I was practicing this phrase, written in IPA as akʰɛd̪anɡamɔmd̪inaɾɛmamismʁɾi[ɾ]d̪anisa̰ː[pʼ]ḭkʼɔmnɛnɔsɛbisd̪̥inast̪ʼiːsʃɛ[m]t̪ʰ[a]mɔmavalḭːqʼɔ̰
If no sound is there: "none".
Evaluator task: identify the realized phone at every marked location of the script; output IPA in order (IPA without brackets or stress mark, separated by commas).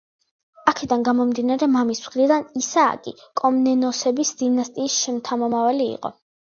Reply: none, kʼ, m, a